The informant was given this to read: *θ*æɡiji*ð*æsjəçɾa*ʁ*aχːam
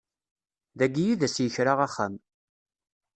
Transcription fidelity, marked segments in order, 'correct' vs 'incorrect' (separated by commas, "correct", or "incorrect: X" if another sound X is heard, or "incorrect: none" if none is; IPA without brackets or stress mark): incorrect: ð, correct, correct